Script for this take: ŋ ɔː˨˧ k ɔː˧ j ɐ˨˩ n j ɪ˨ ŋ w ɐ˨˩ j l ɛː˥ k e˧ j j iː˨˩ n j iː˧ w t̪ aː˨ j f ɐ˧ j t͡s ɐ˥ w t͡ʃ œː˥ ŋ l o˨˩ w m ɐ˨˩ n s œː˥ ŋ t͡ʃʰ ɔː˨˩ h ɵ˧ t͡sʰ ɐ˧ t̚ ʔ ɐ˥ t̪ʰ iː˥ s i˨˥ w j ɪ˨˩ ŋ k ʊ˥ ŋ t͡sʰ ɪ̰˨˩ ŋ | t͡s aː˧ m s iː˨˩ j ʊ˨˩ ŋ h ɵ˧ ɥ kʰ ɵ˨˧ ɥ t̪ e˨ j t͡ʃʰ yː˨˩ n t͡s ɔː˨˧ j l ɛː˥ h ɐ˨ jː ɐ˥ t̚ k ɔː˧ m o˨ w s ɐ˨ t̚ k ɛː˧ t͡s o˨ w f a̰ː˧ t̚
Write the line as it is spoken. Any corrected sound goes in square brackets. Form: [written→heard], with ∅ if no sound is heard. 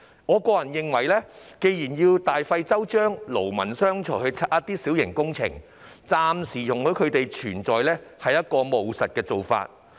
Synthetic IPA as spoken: ŋ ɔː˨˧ k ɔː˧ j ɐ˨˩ n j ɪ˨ ŋ w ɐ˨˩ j l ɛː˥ k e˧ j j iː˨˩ n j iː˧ w t̪ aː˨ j f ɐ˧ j t͡s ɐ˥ w t͡ʃ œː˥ ŋ l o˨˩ w m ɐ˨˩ n s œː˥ ŋ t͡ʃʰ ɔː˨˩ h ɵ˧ t͡sʰ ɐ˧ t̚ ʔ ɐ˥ [t̪ʰ→t̪] iː˥ s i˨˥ w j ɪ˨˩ ŋ k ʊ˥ ŋ t͡sʰ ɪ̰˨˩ ŋ | t͡s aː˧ m s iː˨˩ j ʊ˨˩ ŋ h [ɵ˧→ɵ˨˥] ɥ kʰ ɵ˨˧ ɥ t̪ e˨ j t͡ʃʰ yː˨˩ n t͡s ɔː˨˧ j l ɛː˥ h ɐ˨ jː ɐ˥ t̚ k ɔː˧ m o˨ w s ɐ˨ t̚ k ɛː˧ t͡s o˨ w f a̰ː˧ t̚